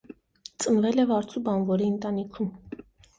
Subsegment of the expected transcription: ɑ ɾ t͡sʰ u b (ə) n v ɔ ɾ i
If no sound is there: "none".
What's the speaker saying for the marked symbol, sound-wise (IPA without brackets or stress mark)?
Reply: ɑ